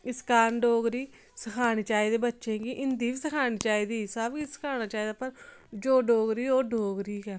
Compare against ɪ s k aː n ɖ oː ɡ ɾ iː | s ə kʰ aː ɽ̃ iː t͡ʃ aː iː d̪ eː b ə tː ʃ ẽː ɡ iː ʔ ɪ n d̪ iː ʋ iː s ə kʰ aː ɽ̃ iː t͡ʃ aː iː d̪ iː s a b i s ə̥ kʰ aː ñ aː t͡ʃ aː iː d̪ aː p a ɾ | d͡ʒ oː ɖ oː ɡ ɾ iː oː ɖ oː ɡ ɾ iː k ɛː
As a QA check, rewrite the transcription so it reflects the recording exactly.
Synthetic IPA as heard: ɪ s k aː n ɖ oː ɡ ɾ iː | s ə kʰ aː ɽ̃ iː t͡ʃ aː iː d̪ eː b ə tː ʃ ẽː ɡ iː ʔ ɪ n d̪ iː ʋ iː s ə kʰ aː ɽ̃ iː t͡ʃ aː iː d̪ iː s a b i s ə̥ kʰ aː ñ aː t͡ʃ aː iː d̪ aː p ə ɾ | d͡ʒ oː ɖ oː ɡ ɾ iː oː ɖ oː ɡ ɾ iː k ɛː